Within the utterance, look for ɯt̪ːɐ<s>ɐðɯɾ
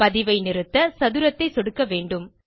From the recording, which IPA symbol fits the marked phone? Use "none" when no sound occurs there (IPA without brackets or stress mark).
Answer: s